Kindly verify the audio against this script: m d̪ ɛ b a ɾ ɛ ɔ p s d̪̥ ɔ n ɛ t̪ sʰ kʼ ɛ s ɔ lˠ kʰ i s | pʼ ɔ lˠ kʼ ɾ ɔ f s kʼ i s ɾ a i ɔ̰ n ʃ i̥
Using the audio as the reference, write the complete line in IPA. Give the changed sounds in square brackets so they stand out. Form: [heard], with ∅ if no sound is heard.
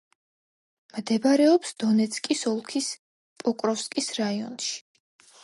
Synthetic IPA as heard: m d̪ ɛ b a ɾ ɛ ɔ p s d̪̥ ɔ n ɛ t̪ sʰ kʼ [i] s ɔ lˠ kʰ i s | pʼ ɔ [∅] kʼ ɾ ɔ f s kʼ i s ɾ a i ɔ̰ n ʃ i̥